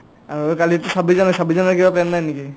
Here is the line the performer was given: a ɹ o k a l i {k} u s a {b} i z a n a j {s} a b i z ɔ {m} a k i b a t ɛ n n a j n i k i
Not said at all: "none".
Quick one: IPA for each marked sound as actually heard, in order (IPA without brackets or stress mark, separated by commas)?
t, b, s, n